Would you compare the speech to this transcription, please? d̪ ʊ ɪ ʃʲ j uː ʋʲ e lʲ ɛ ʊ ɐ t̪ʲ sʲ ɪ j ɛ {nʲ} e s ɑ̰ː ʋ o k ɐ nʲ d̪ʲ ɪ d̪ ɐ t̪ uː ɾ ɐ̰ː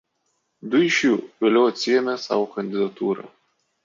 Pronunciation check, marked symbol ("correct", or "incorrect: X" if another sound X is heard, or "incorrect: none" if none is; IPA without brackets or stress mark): incorrect: mʲ